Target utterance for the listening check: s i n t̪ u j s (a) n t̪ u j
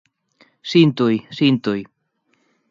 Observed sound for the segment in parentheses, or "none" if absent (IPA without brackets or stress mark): i